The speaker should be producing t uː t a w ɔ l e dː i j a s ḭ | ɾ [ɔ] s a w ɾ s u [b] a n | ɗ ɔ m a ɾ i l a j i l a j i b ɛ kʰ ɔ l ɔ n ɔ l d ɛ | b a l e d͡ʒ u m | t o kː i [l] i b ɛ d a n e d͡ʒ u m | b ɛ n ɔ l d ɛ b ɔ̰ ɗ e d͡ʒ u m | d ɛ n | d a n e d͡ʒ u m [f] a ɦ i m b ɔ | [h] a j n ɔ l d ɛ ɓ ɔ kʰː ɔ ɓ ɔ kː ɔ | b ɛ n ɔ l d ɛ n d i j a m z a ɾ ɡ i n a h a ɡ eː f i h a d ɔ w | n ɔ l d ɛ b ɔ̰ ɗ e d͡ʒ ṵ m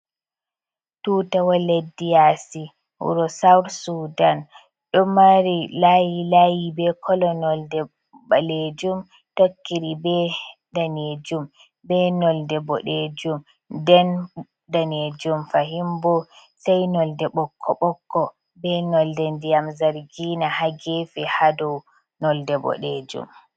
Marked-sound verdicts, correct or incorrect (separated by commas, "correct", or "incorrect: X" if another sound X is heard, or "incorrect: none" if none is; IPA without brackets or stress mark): correct, incorrect: d, incorrect: ɾ, correct, incorrect: s